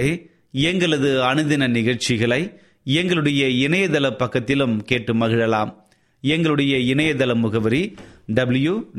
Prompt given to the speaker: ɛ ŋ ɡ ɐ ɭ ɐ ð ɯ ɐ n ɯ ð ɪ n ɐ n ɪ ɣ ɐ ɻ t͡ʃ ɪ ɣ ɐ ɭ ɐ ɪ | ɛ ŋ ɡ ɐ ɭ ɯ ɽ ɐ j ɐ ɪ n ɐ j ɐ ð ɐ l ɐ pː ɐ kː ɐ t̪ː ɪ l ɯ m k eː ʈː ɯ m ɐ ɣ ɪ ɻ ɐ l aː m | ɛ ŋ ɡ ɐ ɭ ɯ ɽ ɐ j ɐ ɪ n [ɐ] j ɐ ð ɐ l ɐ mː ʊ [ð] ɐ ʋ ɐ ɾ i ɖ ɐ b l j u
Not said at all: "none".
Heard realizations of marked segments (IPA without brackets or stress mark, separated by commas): ɐ, ɣ